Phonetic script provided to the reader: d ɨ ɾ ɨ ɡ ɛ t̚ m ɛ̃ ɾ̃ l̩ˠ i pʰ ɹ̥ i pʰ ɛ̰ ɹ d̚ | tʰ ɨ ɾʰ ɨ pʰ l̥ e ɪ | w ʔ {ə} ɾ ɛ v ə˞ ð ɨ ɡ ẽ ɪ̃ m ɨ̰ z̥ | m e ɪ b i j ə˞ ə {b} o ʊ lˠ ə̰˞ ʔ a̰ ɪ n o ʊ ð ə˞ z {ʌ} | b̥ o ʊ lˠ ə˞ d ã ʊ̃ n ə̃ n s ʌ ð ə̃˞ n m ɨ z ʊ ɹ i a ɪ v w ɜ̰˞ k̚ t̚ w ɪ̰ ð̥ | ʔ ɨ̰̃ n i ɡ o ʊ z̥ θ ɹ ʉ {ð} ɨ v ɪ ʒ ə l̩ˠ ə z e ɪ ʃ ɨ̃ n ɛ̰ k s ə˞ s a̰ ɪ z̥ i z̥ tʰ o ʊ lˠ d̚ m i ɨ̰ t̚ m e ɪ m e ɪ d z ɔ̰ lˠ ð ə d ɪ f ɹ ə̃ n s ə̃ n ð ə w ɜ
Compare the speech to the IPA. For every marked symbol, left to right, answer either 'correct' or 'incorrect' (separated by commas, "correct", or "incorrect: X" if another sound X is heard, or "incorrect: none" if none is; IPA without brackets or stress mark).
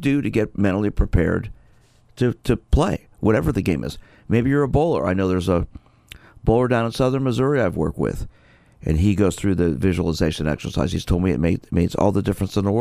incorrect: ʌ, correct, incorrect: ə, correct